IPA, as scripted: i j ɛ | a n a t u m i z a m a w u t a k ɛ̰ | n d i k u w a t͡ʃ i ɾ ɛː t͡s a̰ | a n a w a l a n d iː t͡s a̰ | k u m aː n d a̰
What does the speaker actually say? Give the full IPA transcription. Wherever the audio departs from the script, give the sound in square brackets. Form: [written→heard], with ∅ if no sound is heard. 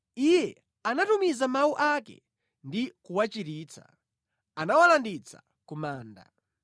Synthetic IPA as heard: i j ɛ | a n a t u m i z a m a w u [t→ʔ] a k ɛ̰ | n d i k u w a t͡ʃ i ɾ [ɛː→iː] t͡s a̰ | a n a w a l a n d [iː→i] t͡s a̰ | k u m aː n d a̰